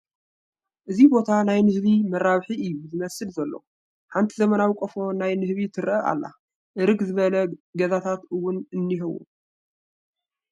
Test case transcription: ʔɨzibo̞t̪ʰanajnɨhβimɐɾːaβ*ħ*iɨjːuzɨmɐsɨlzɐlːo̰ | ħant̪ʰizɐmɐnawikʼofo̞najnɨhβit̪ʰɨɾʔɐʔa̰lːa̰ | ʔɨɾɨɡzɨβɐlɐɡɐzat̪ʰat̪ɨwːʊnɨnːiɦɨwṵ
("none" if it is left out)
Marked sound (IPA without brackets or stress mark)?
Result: ħ